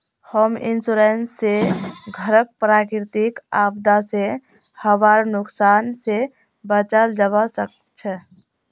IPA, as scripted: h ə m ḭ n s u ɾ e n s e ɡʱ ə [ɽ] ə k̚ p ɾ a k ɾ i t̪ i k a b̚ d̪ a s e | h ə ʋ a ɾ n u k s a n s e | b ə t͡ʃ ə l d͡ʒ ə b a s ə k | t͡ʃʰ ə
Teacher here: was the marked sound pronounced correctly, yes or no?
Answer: no